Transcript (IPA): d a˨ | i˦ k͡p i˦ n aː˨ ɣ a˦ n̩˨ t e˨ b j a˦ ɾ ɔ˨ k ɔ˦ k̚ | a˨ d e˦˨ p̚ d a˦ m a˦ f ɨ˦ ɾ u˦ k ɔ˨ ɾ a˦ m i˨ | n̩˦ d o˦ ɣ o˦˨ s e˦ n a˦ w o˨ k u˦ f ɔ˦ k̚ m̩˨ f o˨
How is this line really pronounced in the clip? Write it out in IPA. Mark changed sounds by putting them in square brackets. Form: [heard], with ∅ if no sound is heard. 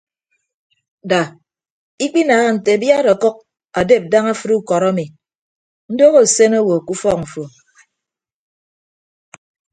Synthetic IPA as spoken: d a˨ | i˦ k͡p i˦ n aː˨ ɣ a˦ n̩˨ t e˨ b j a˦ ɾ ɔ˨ k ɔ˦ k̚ | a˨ d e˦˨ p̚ d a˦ [ŋ] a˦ f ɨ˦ ɾ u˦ k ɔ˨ ɾ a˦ m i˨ | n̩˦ d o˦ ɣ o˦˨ s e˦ n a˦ w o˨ k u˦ f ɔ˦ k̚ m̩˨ f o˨